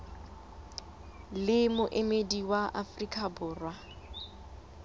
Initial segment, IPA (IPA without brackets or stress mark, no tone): l